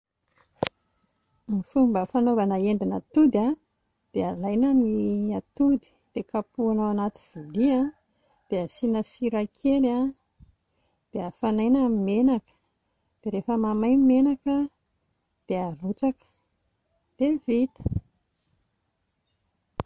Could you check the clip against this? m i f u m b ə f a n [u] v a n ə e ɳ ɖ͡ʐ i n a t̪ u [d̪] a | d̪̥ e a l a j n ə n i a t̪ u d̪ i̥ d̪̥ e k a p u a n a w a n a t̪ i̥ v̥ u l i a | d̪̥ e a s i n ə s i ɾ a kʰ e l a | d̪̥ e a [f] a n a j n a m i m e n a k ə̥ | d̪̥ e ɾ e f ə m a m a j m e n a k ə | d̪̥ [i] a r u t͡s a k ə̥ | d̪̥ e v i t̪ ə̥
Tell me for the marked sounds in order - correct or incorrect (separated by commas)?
incorrect, correct, correct, incorrect